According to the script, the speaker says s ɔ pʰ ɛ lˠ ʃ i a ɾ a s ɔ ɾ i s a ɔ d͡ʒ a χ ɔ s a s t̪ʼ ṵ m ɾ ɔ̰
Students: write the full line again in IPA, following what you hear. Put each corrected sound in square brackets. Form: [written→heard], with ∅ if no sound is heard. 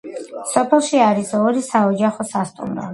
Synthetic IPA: s ɔ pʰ ɛ lˠ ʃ i a ɾ [a→i] s ɔ ɾ i s a ɔ d͡ʒ a χ ɔ s a s t̪ʼ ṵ m ɾ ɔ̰